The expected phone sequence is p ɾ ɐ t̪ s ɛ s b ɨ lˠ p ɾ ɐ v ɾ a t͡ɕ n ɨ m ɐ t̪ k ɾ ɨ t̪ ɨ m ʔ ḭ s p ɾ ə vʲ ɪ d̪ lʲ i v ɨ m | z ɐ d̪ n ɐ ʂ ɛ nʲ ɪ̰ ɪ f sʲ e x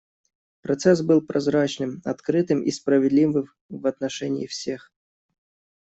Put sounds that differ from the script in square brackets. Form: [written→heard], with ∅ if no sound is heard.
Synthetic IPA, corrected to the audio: p ɾ ɐ t̪ s ɛ s b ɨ lˠ p ɾ ɐ [v→z] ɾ a t͡ɕ n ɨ m ɐ t̪ k ɾ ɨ t̪ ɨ m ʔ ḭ s p ɾ ə vʲ ɪ d̪ lʲ i v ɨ m | [z→v] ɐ [d̪→t̪] n ɐ ʂ ɛ nʲ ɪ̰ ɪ f sʲ e x

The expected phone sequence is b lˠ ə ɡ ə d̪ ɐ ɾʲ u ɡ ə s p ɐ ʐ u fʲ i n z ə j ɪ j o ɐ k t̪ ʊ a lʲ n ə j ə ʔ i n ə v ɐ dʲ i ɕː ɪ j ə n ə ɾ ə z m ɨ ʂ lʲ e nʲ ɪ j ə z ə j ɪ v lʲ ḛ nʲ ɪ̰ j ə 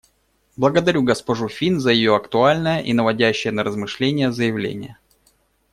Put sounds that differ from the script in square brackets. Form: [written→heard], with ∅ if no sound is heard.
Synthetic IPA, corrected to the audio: b lˠ ə ɡ ə d̪ ɐ ɾʲ u ɡ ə s p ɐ ʐ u fʲ i n z ə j ɪ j o ɐ k t̪ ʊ a lʲ n ə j ə ʔ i n ə v ɐ dʲ [i→æ] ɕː ɪ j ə n ə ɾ ə z m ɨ ʂ lʲ e nʲ ɪ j ə z ə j ɪ v lʲ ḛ nʲ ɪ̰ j ə

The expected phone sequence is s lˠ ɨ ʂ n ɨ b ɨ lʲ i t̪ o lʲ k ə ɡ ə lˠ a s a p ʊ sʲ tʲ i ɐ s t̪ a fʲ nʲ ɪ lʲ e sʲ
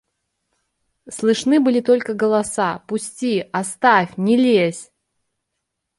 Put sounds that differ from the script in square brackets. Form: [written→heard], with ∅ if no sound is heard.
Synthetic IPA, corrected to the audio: s lˠ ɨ ʂ n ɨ b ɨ lʲ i t̪ o lʲ k ə ɡ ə lˠ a s a p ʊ sʲ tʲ i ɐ s t̪ a fʲ nʲ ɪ lʲ e sʲ

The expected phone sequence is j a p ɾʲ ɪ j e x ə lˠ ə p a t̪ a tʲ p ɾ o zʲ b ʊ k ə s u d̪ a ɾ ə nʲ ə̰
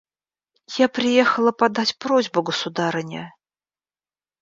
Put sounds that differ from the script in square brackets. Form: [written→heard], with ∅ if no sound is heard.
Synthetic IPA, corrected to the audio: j a p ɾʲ ɪ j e x ə lˠ ə p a [t̪→d̪] a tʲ p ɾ o zʲ b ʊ [k→ɡ] ə s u d̪ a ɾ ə nʲ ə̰

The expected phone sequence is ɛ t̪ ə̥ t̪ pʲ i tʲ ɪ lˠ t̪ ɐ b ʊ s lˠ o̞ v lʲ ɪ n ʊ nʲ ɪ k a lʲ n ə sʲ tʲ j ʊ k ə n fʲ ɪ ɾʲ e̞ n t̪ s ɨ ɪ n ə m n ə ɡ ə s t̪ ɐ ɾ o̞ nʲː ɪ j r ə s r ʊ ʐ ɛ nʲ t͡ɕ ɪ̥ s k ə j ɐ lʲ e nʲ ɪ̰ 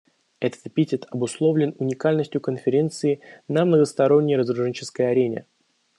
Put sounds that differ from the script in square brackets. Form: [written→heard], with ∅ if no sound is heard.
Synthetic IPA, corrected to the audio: ɛ t̪ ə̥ t̪ pʲ i tʲ ɪ [lˠ→∅] t̪ ɐ b ʊ s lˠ o̞ v lʲ ɪ n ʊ nʲ ɪ k a lʲ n ə sʲ tʲ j ʊ k ə n fʲ ɪ ɾʲ e̞ n t̪ s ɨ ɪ n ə m n ə ɡ ə s t̪ ɐ ɾ o̞ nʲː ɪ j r ə [s→z] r ʊ ʐ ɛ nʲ t͡ɕ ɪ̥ s k ə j ɐ [lʲ→ɾʲ] e nʲ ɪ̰

